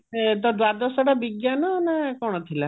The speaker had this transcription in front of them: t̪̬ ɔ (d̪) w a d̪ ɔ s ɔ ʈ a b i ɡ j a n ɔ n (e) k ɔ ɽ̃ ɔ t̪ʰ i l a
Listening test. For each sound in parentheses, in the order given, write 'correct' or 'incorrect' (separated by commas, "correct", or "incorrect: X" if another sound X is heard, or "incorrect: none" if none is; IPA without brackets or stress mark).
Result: correct, incorrect: a